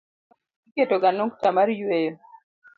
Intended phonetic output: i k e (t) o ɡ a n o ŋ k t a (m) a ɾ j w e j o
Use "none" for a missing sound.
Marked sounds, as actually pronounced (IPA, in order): t, m

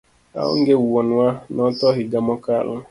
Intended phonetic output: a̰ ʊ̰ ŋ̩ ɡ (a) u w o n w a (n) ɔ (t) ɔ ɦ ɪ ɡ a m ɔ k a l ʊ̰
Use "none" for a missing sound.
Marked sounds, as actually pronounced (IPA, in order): e, n, t

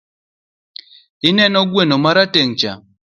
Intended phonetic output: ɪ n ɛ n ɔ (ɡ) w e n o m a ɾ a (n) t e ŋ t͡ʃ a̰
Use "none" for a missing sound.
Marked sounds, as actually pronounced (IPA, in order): ɡ, none

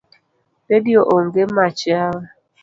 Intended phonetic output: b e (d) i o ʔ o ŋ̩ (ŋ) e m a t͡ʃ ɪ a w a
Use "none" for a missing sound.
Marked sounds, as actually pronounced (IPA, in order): d, ɡ

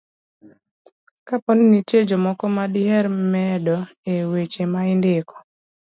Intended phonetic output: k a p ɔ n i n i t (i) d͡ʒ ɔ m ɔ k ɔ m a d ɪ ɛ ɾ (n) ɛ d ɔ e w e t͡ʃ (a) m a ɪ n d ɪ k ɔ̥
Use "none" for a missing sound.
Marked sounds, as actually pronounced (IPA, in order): e, m, e

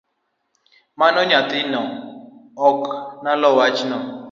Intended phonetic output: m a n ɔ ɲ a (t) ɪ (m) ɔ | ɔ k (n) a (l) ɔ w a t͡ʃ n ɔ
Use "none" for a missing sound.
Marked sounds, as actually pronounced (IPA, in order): t, n, n, l

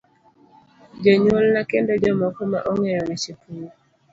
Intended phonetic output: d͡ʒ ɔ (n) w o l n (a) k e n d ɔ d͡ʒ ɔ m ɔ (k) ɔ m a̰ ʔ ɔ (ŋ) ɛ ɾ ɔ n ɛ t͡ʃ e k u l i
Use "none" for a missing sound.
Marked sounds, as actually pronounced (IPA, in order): ɲ, a, k, ŋ

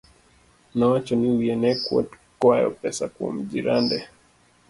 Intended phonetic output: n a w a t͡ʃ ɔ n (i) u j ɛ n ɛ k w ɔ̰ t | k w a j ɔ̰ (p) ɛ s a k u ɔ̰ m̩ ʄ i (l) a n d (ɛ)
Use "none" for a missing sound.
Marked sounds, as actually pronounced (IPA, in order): i, p, ɾ, ɛ

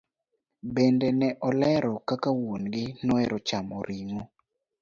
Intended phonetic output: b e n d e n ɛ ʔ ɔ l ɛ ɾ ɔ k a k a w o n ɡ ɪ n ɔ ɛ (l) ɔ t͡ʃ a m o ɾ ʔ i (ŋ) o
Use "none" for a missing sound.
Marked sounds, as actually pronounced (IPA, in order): ɾ, ŋ

